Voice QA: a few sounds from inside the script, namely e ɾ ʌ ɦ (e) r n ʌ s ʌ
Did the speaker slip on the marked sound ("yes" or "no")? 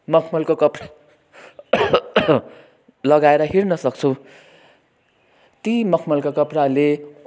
yes